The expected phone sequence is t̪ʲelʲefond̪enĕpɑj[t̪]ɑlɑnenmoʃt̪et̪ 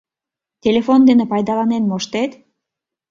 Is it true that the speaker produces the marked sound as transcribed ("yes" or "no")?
no